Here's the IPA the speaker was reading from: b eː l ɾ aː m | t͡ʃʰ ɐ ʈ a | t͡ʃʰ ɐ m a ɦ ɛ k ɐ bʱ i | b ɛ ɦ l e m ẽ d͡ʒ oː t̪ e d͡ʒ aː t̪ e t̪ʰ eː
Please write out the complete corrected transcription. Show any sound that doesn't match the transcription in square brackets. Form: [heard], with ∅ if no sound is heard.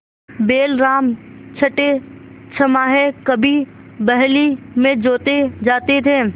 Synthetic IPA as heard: b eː l ɾ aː m | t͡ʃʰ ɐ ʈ [e] | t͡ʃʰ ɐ m a ɦ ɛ k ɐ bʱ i | b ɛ ɦ l [i] m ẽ d͡ʒ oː t̪ e d͡ʒ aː t̪ e t̪ʰ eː